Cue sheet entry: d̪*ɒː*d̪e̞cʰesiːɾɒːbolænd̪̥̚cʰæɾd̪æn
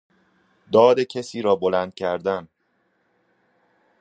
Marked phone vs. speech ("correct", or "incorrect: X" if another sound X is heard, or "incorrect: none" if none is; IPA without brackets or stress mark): correct